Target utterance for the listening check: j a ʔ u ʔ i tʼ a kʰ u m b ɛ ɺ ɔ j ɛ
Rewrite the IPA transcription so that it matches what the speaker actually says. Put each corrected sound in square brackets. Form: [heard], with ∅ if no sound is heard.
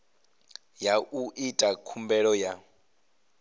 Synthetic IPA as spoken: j a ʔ u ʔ i tʼ a kʰ u m b ɛ ɺ ɔ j [a]